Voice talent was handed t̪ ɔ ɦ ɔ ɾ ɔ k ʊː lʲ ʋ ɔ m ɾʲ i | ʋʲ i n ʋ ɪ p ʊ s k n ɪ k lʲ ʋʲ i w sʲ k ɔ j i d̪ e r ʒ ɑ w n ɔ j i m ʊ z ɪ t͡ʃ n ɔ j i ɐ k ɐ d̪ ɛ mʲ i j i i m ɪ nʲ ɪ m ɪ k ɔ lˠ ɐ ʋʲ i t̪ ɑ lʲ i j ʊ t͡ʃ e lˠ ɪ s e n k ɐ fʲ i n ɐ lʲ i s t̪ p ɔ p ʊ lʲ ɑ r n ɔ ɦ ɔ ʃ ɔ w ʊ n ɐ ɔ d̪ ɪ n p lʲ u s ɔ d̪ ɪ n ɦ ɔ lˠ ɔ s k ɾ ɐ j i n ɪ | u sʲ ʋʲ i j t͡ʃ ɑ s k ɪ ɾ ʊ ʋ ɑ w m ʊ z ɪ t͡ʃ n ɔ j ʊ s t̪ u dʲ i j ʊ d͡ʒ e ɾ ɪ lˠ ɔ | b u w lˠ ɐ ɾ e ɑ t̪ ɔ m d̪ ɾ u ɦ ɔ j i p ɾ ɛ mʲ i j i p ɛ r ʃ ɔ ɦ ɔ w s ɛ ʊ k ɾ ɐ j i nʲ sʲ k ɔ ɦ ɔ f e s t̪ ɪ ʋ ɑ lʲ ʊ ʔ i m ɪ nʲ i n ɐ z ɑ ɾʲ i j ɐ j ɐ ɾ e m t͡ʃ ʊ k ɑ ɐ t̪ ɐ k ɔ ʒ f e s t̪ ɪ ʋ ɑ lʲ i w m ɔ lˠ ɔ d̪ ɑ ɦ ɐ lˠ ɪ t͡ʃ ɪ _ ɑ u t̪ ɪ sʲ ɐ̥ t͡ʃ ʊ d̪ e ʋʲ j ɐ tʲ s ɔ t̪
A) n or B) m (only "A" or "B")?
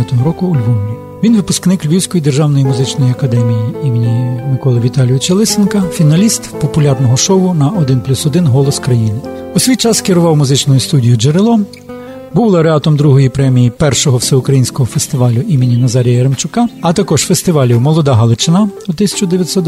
A